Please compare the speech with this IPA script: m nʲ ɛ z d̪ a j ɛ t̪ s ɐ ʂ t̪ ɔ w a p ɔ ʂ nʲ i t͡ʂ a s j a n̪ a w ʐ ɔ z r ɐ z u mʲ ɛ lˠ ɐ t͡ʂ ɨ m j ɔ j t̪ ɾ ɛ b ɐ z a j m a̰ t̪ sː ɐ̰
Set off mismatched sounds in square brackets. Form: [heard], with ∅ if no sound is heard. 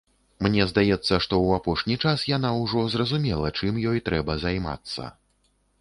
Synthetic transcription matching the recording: m nʲ ɛ z d̪ a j ɛ t̪ [sː] ɐ ʂ t̪ ɔ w a p ɔ ʂ nʲ i t͡ʂ a s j a n̪ a w ʐ ɔ z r ɐ z u mʲ ɛ lˠ ɐ t͡ʂ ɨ m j ɔ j t̪ ɾ ɛ b ɐ z a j m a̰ t̪ sː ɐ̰